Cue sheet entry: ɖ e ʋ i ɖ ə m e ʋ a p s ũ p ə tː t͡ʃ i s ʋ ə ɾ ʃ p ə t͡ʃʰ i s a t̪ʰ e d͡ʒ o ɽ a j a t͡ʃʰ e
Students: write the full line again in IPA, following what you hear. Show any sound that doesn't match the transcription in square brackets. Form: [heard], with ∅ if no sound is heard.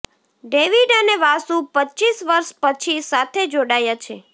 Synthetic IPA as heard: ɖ e ʋ i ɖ ə [n] e ʋ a [∅] s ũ p ə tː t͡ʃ i s ʋ ə ɾ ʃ p ə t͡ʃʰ i s a t̪ʰ e d͡ʒ o ɽ a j a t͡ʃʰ e